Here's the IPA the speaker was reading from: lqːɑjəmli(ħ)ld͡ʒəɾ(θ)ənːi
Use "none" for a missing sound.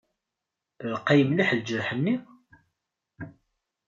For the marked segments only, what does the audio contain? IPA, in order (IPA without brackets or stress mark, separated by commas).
ħ, ħ